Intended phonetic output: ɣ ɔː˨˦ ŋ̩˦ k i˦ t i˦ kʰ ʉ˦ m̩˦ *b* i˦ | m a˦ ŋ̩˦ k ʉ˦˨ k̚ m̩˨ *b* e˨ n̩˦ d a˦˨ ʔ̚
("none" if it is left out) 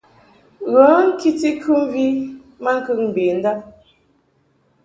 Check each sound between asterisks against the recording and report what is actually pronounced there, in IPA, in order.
v, b

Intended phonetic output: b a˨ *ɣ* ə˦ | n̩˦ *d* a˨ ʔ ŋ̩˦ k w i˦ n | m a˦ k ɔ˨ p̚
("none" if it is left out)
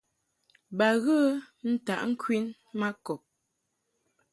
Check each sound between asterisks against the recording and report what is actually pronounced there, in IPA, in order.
ɣ, t

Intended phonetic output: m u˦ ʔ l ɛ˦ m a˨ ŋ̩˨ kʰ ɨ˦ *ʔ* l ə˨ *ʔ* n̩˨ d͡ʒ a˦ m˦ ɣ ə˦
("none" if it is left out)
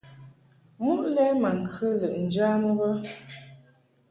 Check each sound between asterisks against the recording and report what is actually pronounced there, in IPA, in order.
none, ʔ

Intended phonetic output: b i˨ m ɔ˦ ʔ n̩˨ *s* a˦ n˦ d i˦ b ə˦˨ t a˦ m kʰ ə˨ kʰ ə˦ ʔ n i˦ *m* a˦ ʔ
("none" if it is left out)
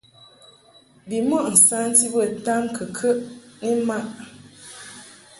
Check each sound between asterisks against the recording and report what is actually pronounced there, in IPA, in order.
s, m

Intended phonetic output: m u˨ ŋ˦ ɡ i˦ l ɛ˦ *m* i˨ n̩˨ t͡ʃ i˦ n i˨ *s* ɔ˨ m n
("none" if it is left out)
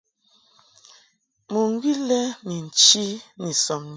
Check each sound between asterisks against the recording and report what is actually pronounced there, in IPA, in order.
m, s

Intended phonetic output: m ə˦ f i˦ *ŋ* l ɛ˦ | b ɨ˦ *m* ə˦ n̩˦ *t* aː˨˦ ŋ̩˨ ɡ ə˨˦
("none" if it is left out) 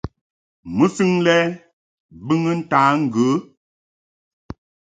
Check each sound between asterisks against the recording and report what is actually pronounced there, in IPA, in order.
ŋ, ŋ, t

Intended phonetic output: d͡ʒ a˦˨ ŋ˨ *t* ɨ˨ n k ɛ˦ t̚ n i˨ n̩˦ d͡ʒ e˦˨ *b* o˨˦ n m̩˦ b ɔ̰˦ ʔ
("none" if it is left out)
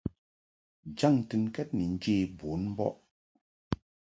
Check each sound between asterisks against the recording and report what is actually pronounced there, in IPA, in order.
t, b

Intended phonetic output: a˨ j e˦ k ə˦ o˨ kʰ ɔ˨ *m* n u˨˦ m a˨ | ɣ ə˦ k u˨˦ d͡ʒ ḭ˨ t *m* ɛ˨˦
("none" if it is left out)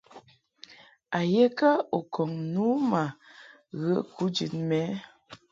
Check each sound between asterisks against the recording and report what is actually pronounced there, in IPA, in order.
ŋ, m

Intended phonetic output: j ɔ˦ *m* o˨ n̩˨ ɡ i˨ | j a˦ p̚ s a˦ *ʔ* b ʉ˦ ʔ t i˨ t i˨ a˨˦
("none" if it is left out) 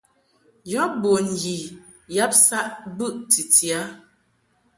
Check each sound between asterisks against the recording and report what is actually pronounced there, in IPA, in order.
b, ʔ

